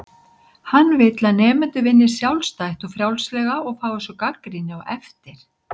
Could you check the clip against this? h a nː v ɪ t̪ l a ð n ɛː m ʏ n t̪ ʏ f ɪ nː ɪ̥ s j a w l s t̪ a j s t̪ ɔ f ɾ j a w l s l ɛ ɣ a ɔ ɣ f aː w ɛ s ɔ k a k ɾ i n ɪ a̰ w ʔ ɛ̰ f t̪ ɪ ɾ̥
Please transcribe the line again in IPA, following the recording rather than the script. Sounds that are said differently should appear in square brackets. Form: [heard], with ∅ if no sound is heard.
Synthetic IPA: h a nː v ɪ t̪ l a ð n ɛː m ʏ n t̪ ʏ [v] ɪ nː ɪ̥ s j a w l s t̪ a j [h] t̪ ɔ f ɾ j a w l s l ɛ ɣ a ɔ ɣ f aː w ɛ s ɔ k a k ɾ i n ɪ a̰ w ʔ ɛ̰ f t̪ ɪ ɾ̥